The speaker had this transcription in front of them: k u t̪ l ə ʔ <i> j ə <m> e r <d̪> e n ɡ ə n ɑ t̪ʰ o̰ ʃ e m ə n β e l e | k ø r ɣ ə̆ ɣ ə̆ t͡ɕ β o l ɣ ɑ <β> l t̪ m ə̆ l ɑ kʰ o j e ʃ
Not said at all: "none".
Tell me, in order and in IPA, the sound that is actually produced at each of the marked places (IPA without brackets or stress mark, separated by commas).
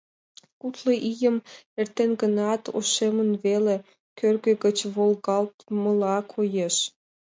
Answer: i, m, t̪, none